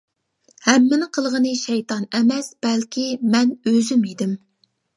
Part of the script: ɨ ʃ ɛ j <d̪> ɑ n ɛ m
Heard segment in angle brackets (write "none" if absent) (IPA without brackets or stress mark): t̪